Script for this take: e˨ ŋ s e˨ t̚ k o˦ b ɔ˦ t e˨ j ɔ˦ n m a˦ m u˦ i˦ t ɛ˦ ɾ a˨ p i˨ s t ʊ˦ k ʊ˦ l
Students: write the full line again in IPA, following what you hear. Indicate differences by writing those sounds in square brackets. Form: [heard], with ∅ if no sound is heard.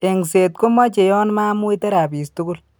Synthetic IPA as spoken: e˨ ŋ s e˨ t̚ k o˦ [m] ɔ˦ [t͡ʃ] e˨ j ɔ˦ n m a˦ m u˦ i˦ t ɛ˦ ɾ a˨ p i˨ s t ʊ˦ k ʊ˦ l